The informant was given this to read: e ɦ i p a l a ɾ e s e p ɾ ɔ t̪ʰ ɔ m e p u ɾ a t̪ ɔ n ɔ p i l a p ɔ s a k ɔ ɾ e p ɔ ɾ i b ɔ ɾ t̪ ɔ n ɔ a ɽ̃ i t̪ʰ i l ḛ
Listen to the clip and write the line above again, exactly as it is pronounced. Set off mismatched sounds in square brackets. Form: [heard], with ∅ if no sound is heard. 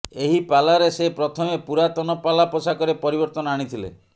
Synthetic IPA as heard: e ɦ i p a l a ɾ e s e p ɾ ɔ t̪ʰ ɔ m e p u ɾ a t̪ ɔ n ɔ p [a] l a p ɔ s a k ɔ ɾ e p ɔ ɾ i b ɔ ɾ t̪ ɔ n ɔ a ɽ̃ i t̪ʰ i l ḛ